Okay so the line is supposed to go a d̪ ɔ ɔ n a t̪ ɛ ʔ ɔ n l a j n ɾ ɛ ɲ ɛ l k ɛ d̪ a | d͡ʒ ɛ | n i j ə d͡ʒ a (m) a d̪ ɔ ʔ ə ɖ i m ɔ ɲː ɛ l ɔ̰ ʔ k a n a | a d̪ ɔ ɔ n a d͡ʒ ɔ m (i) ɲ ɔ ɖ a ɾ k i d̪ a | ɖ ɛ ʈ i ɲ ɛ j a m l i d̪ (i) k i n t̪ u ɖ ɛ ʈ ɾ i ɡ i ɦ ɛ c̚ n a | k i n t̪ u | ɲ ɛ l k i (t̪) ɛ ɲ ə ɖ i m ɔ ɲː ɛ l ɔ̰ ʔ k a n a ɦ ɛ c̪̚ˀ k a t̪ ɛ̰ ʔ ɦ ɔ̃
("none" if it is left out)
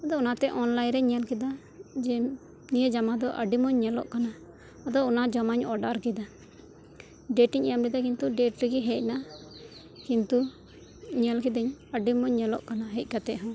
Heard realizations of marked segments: m, a, a, d̪

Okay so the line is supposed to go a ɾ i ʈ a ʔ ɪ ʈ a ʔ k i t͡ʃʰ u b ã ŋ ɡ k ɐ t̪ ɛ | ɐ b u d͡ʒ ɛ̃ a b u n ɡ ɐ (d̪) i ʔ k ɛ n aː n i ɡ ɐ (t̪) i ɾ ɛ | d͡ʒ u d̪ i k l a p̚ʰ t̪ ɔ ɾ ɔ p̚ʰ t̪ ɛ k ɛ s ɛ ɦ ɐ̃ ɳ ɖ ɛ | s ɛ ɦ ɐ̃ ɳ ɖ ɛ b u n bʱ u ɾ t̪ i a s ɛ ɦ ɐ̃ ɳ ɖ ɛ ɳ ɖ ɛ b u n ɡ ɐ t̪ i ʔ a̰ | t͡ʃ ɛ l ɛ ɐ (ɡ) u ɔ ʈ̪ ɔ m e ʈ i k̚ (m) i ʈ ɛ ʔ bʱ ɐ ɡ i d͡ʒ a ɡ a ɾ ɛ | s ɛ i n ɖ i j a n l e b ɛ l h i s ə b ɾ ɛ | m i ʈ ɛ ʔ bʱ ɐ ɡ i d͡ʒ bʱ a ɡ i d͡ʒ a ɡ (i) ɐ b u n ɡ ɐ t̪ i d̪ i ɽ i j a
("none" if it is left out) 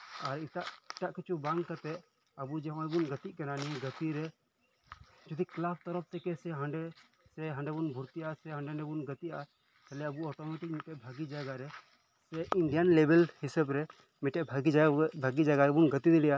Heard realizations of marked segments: t̪, t̪, b, m, a

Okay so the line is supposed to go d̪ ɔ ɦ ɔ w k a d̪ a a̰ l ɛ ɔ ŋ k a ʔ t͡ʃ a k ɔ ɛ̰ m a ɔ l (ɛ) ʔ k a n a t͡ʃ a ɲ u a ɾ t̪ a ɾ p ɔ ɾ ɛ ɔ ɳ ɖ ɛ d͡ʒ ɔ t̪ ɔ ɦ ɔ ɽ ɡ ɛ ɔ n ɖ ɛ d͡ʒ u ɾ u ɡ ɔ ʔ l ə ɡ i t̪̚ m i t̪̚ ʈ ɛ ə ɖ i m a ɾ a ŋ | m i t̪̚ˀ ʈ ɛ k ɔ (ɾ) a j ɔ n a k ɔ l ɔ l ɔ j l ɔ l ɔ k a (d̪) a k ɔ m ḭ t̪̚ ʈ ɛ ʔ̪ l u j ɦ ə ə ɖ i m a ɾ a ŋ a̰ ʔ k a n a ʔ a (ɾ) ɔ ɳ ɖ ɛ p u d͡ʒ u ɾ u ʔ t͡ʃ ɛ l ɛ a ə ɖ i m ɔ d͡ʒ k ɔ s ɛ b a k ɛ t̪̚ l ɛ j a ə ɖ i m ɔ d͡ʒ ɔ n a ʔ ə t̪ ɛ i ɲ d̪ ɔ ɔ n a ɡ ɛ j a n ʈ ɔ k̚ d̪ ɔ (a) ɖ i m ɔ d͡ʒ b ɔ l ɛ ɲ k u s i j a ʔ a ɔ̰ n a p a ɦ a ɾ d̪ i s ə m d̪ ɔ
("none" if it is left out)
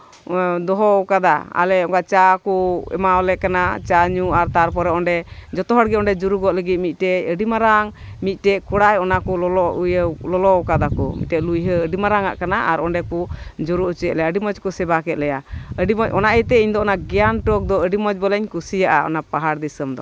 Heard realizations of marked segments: ɛ, ɽ, d̪, ɾ, ə

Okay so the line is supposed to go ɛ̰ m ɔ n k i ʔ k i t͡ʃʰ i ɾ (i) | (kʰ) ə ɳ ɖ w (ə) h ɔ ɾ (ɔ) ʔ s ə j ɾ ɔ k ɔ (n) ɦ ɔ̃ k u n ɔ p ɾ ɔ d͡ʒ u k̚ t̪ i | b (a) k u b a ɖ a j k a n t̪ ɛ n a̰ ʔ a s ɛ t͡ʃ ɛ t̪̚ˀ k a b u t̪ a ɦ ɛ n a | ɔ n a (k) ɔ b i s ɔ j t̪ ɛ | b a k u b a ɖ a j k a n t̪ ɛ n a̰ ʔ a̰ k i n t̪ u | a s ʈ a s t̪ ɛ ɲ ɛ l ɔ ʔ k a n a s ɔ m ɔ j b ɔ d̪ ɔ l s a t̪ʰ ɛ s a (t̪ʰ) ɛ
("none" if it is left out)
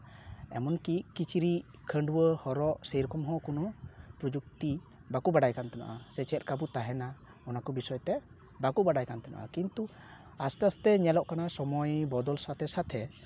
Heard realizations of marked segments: i, kʰ, ə, ɔ, m, a, k, t̪ʰ

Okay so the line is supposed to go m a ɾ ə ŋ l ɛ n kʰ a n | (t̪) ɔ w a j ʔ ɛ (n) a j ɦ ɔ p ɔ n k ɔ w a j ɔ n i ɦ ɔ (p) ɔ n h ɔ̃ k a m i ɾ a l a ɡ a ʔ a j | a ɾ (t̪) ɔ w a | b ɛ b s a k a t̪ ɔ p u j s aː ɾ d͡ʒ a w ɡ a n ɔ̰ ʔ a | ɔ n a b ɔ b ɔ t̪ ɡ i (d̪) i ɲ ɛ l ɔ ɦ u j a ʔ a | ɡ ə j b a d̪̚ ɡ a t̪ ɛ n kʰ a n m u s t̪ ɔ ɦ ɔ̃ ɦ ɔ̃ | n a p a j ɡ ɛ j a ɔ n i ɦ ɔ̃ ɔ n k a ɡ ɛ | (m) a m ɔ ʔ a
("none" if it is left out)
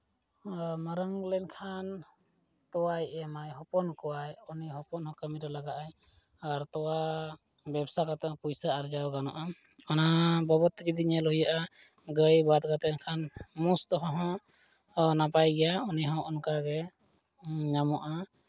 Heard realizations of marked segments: t̪, m, p, t̪, d̪, ɲ

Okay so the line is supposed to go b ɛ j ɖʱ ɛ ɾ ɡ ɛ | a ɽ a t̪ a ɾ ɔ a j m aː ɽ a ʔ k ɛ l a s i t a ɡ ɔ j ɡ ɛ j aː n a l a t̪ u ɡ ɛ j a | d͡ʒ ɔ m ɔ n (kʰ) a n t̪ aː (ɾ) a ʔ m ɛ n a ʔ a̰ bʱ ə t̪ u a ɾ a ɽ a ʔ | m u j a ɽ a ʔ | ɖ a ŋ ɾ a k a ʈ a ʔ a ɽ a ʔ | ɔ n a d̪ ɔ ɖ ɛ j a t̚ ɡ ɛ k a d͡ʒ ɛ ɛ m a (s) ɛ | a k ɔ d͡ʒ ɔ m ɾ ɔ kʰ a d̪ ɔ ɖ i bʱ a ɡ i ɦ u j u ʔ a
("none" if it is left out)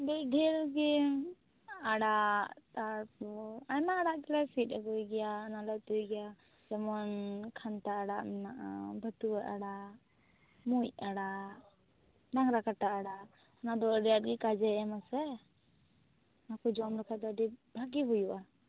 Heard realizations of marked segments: kʰ, ɽ, s

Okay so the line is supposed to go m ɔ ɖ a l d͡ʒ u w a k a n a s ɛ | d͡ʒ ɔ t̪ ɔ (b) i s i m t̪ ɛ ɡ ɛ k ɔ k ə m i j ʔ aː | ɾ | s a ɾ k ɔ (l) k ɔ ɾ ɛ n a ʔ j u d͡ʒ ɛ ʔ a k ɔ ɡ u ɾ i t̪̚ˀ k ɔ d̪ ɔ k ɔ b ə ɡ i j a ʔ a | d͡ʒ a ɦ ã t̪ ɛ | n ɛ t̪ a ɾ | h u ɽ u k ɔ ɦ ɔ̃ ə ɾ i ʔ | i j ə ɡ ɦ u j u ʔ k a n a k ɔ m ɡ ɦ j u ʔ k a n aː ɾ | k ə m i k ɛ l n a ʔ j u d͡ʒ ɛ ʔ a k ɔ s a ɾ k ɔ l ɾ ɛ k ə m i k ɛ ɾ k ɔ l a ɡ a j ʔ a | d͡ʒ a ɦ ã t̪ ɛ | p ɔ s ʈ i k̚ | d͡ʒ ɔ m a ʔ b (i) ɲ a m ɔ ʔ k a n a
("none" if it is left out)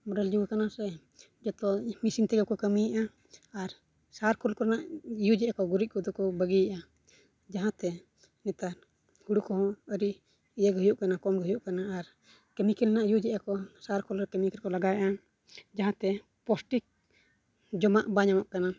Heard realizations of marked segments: m, l, a

